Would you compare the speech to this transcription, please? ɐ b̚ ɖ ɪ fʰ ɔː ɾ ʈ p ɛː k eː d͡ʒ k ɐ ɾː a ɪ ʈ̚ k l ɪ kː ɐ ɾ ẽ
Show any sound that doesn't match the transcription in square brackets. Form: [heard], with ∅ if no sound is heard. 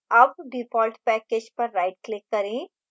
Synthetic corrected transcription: ɐ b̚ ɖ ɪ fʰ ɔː [l] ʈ p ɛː k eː d͡ʒ [p] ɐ ɾː a ɪ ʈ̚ k l ɪ kː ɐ ɾ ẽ